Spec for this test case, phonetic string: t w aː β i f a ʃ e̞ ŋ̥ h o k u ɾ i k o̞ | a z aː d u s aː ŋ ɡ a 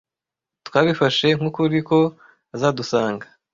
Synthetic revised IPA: t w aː β i f a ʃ e̞ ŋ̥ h u k u ɾ i k o̞ | a z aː d u s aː ŋ ɡ a